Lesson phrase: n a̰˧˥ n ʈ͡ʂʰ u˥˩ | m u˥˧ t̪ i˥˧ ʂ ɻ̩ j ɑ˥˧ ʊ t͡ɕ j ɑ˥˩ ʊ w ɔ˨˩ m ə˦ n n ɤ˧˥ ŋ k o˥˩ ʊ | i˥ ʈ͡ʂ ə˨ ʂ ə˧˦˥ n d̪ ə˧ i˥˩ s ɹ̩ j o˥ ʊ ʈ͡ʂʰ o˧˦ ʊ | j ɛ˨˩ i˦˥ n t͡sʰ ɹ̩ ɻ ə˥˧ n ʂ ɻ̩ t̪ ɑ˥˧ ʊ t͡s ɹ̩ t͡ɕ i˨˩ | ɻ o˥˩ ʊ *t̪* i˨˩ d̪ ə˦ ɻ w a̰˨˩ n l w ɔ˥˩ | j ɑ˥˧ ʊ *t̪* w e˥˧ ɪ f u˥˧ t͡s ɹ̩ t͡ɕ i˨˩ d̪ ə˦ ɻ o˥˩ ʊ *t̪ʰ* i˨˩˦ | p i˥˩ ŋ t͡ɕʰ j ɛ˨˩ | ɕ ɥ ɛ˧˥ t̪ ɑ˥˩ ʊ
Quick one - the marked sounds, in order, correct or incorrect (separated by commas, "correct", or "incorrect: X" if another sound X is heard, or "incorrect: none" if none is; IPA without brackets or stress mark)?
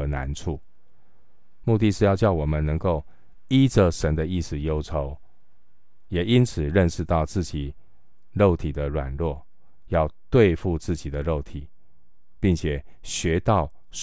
incorrect: t̪ʰ, correct, correct